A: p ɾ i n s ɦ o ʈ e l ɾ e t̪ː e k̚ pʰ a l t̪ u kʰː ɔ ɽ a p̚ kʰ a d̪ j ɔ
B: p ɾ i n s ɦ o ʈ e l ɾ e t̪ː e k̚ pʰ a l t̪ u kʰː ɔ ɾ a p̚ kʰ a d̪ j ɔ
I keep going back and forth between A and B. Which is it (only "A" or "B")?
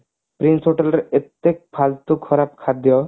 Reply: B